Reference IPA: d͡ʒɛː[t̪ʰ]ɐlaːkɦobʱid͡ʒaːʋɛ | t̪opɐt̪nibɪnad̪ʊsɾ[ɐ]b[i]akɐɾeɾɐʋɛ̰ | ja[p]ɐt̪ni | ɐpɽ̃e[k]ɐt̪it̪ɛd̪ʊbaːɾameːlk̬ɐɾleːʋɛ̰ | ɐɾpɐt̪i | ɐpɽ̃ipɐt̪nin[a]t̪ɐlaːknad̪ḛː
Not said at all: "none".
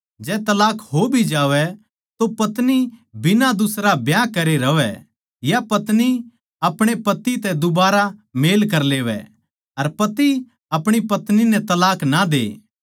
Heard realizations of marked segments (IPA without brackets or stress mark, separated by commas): t̪, a, j, p, p, ɛ